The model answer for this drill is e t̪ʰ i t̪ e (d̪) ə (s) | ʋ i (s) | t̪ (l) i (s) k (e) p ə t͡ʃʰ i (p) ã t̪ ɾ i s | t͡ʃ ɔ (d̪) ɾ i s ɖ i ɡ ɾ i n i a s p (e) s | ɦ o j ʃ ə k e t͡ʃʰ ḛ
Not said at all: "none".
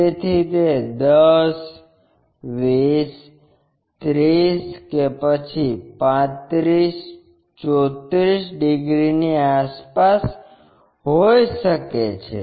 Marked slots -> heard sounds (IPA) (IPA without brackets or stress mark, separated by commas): d̪, s, s, ɾ, s, e, p, t̪, a